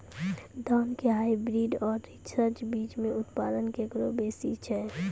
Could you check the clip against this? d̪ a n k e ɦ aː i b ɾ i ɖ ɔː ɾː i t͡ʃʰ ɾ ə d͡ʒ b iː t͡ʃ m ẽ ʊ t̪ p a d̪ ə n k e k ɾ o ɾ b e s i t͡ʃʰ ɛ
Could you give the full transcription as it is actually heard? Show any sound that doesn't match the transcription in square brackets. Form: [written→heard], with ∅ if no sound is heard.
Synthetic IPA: d̪ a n k e ɦ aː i b ɾ i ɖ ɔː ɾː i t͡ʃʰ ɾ ə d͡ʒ b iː t͡ʃ m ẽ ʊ t̪ p a d̪ ə n k e k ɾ o [ɾ→∅] b e s i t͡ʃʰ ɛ